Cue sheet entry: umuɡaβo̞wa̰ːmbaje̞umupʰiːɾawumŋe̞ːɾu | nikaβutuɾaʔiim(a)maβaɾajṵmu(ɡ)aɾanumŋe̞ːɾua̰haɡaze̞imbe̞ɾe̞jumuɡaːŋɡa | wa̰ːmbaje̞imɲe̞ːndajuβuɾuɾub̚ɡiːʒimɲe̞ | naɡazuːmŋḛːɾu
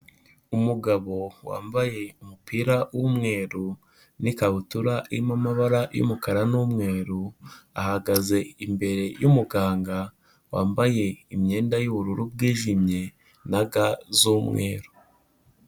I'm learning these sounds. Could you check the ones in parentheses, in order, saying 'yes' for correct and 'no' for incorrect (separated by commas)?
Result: yes, no